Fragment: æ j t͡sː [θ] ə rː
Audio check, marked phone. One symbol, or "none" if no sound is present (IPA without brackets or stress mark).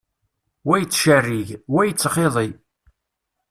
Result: ʃ